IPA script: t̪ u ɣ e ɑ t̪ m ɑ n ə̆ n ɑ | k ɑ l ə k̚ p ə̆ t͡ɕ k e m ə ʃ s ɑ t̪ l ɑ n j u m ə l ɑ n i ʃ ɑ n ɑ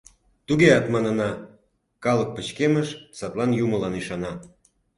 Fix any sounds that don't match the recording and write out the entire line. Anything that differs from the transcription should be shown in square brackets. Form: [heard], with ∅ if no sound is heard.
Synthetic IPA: t̪ u ɣ e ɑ t̪ m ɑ n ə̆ n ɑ | k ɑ l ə k̚ p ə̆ t͡ɕ k e m ə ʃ s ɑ t̪ l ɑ n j u m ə l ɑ n i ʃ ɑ n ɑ